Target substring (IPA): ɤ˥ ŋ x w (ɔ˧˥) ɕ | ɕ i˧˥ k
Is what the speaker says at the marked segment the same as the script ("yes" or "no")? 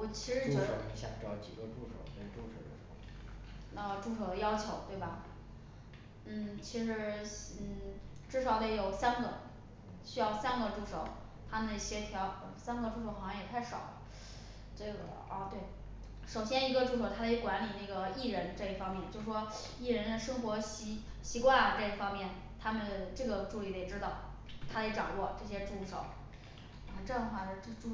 yes